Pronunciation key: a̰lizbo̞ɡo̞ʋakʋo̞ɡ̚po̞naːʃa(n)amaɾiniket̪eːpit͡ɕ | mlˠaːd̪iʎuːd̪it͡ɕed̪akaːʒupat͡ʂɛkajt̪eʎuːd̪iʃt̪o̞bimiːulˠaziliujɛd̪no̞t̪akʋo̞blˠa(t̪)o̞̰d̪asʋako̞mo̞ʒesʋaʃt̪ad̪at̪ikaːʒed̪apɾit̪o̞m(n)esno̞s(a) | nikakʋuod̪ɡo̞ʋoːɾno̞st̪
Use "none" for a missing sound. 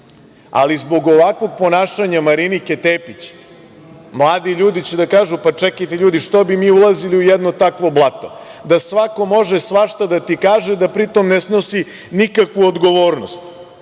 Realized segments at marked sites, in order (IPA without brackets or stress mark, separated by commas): ɲ, t̪, n, i